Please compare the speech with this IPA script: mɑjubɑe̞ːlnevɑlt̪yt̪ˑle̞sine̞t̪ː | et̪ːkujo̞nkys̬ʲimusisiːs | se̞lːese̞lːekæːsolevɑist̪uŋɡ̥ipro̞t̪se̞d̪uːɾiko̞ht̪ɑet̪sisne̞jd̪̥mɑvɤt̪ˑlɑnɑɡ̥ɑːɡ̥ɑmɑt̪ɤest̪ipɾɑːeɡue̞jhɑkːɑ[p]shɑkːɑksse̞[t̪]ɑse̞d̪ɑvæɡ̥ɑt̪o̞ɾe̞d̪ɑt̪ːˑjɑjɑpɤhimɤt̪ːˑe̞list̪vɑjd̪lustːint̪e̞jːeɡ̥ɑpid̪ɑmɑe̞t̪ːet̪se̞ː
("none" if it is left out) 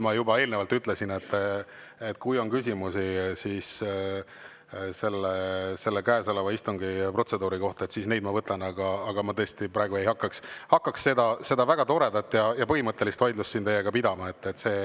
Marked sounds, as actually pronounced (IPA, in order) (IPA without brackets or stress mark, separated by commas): k, d̪